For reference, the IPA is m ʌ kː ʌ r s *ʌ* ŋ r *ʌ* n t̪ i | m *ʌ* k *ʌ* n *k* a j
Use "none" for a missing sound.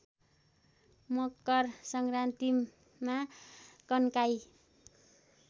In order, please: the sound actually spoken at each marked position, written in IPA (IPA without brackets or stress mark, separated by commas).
ʌ, a, a, ʌ, k